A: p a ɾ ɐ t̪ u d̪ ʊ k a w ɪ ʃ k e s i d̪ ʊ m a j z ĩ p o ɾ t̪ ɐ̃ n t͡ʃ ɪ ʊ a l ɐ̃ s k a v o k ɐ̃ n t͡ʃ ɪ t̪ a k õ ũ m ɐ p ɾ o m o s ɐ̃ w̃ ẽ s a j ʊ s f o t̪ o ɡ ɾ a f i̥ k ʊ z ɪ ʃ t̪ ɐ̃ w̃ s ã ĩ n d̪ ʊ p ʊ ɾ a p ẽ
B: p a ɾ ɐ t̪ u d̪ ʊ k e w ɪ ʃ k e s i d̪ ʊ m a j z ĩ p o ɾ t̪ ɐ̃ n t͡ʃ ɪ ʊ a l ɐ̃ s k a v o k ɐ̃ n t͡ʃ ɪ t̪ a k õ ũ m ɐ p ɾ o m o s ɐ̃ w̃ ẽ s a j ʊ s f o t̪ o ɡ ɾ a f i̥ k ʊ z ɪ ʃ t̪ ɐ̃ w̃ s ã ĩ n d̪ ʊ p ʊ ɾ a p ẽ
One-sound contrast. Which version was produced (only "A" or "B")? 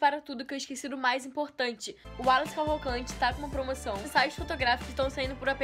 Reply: B